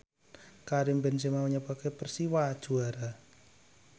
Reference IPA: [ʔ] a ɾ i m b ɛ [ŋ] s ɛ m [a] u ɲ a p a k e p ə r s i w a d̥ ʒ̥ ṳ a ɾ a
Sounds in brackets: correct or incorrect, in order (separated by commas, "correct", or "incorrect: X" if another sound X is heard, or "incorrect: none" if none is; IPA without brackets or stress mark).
incorrect: k, incorrect: n, correct